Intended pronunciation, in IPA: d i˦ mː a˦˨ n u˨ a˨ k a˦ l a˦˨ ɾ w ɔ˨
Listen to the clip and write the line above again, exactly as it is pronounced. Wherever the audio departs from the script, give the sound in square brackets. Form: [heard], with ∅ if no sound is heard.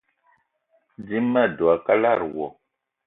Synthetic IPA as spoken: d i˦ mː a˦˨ [d] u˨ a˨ k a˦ l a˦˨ ɾ w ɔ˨